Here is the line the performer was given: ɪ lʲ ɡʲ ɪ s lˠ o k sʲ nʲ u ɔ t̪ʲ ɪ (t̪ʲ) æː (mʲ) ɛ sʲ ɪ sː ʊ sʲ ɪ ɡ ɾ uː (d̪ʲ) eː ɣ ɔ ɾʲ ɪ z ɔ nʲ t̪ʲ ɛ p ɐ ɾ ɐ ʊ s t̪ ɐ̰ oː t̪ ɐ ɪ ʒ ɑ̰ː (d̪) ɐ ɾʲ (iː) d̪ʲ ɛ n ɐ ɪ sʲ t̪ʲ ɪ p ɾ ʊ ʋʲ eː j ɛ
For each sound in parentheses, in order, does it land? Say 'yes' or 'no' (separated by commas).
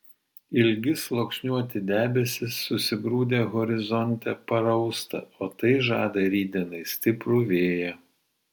no, no, yes, yes, yes